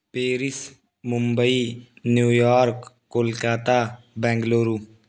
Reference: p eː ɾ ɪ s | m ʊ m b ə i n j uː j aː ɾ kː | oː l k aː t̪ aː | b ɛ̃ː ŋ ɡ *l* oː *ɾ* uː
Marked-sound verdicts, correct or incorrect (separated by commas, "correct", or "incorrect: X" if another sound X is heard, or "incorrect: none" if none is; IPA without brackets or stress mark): correct, correct